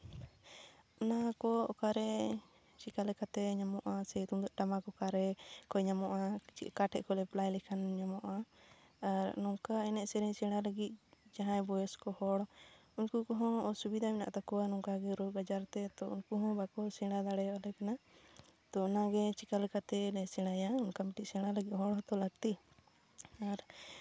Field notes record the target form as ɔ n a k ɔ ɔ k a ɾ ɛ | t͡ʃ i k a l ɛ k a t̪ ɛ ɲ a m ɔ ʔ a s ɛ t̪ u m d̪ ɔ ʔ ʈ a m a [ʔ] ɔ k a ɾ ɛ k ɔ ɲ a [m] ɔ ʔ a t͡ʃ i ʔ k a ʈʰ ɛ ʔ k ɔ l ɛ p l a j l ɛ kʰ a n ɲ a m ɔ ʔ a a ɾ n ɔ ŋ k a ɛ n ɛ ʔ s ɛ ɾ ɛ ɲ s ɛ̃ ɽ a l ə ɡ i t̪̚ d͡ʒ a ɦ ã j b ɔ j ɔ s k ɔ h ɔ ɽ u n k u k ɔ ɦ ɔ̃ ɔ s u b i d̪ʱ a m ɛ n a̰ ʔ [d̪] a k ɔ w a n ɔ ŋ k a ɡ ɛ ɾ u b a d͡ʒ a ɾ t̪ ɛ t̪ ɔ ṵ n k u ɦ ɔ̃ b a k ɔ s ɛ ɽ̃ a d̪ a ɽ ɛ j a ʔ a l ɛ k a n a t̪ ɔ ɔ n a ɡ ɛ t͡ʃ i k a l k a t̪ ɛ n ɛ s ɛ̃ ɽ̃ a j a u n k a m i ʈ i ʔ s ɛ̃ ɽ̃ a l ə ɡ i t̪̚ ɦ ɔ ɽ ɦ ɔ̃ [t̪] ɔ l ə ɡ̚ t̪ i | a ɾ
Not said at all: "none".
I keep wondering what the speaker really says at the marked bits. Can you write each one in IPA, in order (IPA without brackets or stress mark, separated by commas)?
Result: k, m, t̪, t̪